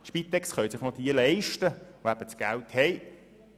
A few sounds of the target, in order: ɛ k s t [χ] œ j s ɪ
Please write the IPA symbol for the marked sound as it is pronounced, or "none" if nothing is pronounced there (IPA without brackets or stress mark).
χ